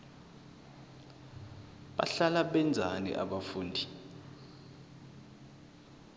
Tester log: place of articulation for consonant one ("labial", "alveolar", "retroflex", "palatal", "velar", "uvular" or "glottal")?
labial